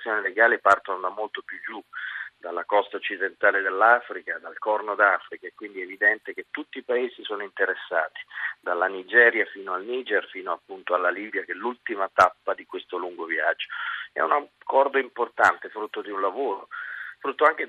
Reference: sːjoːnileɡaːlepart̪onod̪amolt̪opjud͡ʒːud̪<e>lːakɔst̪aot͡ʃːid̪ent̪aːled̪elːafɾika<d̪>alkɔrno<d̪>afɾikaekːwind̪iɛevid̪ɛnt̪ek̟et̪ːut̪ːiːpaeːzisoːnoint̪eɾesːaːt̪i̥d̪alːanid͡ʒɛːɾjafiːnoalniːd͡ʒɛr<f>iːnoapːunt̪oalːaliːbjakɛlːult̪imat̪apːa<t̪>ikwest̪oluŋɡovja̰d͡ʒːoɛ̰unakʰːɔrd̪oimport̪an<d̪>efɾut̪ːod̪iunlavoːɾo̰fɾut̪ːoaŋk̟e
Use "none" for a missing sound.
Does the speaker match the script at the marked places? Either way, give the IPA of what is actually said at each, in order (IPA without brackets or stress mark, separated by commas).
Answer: a, d̪, d̪, f, d̪, t̪